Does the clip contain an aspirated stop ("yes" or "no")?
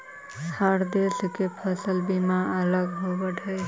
yes